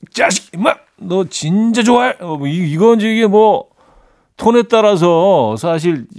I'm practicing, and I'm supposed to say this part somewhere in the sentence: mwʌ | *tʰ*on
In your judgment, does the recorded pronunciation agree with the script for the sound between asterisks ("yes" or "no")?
yes